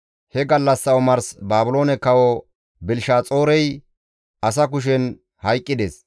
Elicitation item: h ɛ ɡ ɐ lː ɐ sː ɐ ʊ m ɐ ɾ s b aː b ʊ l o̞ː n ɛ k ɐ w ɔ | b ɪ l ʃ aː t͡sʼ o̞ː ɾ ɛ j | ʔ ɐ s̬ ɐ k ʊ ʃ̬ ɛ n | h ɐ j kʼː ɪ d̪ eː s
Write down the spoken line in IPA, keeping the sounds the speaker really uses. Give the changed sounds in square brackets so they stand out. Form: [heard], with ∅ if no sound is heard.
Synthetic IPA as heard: h ɛ ɡ ɐ lː ɐ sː ɐ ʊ m ɐ ɾ s b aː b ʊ l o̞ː n ɛ k ɐ w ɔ | b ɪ l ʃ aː t͡sʼ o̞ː ɾ ɛ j | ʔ ɐ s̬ ɐ k ʊ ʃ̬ ɛ n | h ɐ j kʼː ɪ d̪ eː s